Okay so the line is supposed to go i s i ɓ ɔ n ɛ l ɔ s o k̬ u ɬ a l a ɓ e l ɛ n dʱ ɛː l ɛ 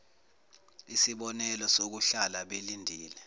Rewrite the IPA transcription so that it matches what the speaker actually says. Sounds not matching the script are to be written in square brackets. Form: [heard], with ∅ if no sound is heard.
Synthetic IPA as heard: i s i ɓ ɔ n ɛ l ɔ s o k̬ u ɬ a l a ɓ e l [i] n dʱ [iː] l ɛ